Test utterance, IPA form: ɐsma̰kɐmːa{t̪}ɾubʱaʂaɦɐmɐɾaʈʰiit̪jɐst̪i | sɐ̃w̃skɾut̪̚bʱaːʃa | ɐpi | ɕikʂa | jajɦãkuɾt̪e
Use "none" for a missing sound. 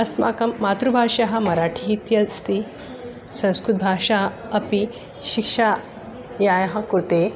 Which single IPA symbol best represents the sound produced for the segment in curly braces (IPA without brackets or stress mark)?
t̪